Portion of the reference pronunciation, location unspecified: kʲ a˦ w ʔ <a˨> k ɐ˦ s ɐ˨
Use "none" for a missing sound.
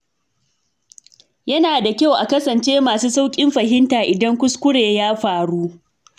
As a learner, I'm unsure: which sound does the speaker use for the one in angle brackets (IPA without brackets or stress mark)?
a˨